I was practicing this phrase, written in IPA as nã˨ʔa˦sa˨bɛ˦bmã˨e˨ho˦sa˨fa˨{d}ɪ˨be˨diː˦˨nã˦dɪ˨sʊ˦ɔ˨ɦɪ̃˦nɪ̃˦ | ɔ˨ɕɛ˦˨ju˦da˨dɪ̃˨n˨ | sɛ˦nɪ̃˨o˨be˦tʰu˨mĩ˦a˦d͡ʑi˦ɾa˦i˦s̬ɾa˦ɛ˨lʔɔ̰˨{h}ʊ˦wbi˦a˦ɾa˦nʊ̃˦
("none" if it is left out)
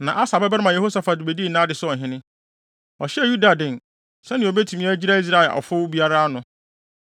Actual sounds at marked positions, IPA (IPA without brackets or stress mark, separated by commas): d, f